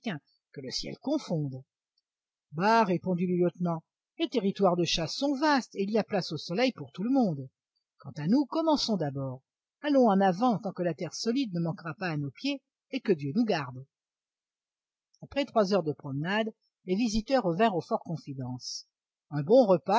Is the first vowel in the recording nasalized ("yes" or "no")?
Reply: yes